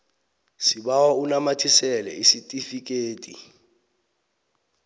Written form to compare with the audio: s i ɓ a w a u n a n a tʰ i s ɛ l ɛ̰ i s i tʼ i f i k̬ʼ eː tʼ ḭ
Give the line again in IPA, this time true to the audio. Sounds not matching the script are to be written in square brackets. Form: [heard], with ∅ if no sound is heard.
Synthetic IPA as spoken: s i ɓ a w a u n a [m] a tʰ i s ɛ l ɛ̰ i s i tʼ i f i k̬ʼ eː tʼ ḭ